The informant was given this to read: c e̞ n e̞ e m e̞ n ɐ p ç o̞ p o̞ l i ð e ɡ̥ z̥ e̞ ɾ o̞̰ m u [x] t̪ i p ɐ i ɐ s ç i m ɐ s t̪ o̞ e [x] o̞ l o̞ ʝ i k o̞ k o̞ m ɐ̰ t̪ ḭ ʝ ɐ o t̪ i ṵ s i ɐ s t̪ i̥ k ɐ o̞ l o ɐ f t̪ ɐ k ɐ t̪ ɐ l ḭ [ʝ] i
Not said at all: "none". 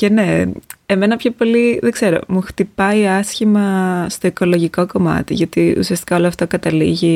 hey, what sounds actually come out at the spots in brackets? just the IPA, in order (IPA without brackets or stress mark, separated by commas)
x, k, ʝ